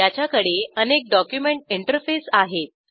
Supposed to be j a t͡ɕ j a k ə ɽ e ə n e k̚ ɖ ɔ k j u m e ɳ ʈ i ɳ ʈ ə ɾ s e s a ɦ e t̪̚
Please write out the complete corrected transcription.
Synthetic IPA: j a t͡ɕ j a k ə ɽ e ə n e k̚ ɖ ɔ k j u m e ɳ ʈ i ɳ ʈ ə ɾ f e s a ɦ e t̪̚

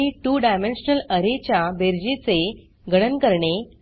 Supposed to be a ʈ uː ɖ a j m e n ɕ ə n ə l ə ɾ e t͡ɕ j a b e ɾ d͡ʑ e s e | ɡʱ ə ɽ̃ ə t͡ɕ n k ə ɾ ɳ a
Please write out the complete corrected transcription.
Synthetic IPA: i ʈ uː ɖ a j m e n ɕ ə n ə l ə ɾ e t͡ɕ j a b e ɾ d͡ʑ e t͡s e | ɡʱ ə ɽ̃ ə n k ə ɾ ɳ e

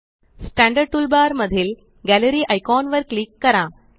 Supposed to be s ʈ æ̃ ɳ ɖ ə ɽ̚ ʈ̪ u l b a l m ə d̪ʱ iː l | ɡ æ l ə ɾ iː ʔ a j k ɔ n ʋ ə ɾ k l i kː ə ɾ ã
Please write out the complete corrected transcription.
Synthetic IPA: s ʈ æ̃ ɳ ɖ ə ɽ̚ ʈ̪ u l b a ɾ m ə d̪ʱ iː l | ɡ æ l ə ɾ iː ʔ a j k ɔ n ʋ ə ɾ k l i kː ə ɾ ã

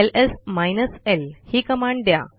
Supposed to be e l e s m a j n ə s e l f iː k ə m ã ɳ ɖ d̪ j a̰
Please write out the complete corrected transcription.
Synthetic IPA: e l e s m a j n ə s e l h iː k ə m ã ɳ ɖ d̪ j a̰

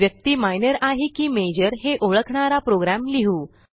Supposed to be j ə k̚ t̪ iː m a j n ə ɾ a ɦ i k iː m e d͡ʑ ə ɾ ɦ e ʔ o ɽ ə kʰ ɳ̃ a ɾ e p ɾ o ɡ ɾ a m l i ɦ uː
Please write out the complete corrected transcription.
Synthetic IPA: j ə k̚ t̪ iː m a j n ə ɾ a ɦ i k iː m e d͡ʑ ə ɾ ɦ e ʔ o ɭ ə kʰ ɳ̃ a ɾ a p ɾ o ɡ ɾ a m l i ɦ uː

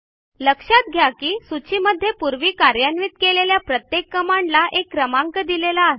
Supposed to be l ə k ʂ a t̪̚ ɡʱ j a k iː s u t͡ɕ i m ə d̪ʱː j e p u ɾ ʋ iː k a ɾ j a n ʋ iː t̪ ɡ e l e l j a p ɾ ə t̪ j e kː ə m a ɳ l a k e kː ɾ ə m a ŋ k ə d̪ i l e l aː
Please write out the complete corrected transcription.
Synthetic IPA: l ə k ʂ a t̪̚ ɡʱ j a k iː s u t͡ɕ i m ə d̪ʱː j e p u ɾ ʋ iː k a ɾ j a n ʋ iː t̪ k e l e l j a p ɾ ə t̪ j e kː ə m a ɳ l a ʔ e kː ɾ ə m a ŋ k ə d̪ i l e l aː

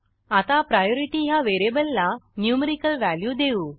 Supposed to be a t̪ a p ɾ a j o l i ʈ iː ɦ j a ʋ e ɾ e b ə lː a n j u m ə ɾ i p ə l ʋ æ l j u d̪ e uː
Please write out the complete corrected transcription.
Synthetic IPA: a t̪ a p ɾ a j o ɾ i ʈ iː ɦ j a ʋ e ɾ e b ə lː a n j u m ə ɾ i k ə l ʋ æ l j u d̪ e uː

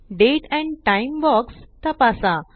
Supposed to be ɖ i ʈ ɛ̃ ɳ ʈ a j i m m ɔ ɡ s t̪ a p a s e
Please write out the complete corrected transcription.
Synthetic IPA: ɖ e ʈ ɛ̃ ɳ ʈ a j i m b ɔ k s t̪ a p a s a

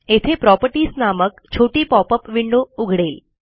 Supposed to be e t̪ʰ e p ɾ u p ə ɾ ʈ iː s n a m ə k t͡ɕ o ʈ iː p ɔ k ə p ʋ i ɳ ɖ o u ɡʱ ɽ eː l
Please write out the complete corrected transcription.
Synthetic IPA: e t̪ʰ e p ɾ ɔ p ə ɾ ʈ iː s n a m ə k t͡ɕʰ o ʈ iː p ɔ p ə p ʋ i ɳ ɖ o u ɡʱ ɽ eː l

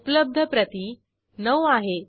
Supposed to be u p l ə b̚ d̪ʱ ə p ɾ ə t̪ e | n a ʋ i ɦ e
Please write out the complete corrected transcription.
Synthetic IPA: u p l ə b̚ d̪ʱ ə p ɾ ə t̪ i | n ə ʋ a ɦ e

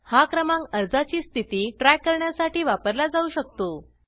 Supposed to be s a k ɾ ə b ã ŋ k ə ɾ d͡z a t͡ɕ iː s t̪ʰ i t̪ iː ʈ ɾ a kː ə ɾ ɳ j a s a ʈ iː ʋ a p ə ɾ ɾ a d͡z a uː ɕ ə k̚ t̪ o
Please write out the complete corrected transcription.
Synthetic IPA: h a k ɾ ə m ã ŋ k ə ɾ d͡z a t͡ɕ iː s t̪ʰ i t̪ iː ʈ ɾ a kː ə ɾ ɳ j a s a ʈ iː ʋ a p ə ɾ l a d͡z a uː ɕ ə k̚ t̪ o

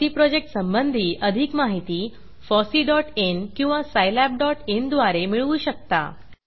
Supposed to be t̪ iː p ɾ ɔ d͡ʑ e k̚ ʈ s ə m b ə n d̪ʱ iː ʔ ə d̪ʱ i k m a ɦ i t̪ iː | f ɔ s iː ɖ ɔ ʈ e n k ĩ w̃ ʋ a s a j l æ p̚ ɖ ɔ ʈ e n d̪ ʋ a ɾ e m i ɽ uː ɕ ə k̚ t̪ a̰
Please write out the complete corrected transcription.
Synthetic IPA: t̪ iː p ɾ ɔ d͡ʑ e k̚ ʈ s ə m b ə n d̪ʱ iː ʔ ə d̪ʱ i k m a ɦ i t̪ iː | f ɔ s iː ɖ ɔ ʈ e n k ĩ w̃ ʋ a s a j l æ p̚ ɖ ɔ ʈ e n d̪ ʋ a ɾ e m i ɭ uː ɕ ə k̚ t̪ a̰

